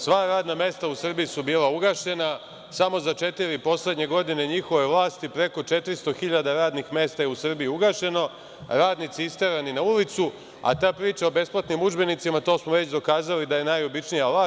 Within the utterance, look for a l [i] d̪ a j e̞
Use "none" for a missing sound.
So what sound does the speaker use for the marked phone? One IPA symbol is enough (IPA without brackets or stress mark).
i